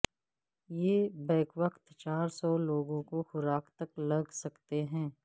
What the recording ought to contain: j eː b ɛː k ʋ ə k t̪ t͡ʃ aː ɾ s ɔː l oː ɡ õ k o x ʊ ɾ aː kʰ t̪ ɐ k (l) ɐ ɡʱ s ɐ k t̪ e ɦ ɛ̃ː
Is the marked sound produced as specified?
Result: yes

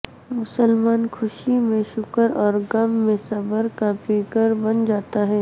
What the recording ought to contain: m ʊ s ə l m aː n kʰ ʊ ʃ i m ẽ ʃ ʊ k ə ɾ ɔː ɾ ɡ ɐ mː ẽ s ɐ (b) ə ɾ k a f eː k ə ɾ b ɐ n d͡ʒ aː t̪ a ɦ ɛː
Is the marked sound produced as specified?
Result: yes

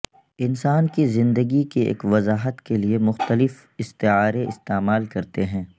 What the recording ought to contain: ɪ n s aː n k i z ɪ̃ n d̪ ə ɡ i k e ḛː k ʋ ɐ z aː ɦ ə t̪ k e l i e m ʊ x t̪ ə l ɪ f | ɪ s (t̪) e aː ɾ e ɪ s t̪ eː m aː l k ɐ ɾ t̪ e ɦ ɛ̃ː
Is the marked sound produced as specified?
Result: yes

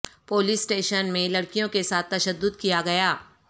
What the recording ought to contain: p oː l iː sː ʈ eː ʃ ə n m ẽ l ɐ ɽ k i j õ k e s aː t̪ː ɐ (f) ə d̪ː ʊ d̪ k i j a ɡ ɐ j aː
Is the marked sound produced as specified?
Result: no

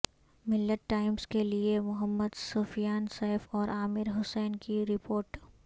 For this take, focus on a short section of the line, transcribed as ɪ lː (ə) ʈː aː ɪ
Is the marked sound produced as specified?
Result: yes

